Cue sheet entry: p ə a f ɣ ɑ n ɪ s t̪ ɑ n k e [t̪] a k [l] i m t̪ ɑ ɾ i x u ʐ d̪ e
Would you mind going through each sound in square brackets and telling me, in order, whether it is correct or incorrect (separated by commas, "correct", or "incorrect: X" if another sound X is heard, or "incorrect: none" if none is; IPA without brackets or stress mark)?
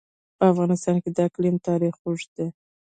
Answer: incorrect: d̪, correct